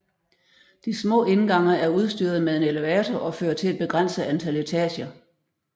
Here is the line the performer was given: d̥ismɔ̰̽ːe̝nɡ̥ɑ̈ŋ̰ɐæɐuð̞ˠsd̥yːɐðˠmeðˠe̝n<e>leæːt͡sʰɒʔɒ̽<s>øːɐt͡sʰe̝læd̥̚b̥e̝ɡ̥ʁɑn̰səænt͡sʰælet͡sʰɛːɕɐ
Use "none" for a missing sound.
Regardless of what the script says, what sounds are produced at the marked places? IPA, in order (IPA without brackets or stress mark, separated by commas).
e, f